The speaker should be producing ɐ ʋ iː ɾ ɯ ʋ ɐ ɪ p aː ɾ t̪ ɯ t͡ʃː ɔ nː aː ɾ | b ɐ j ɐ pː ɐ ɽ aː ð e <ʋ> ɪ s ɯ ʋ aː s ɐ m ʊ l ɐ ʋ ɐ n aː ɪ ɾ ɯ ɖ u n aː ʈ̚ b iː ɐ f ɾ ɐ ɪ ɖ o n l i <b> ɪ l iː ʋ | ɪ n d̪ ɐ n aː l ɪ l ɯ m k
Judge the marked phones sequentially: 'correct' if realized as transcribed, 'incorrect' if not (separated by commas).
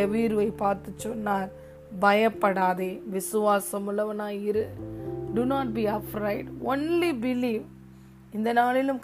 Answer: correct, correct